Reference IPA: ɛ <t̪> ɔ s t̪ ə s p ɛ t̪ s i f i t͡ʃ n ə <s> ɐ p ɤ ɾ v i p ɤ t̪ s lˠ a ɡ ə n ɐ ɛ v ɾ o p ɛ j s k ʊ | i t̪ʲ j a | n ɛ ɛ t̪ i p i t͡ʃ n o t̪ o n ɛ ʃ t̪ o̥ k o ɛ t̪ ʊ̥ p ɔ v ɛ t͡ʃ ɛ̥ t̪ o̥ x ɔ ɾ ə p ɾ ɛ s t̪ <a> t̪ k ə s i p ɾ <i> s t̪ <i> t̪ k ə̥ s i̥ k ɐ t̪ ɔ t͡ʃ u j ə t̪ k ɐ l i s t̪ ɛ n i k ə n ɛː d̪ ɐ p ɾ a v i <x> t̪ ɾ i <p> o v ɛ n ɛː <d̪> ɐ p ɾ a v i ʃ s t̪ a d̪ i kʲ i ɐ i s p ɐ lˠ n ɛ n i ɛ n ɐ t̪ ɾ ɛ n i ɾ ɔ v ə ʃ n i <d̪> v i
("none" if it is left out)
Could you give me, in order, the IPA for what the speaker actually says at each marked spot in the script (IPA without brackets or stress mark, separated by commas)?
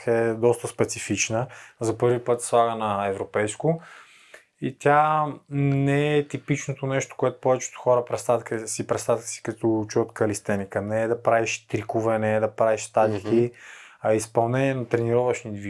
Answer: d̪, z, a, ɛ, a, ʃ, k, d̪, d̪